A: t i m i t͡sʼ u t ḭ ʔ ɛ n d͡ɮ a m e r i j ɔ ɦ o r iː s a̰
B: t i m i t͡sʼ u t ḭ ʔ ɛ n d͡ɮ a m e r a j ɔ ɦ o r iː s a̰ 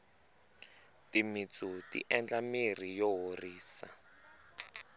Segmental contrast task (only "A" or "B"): A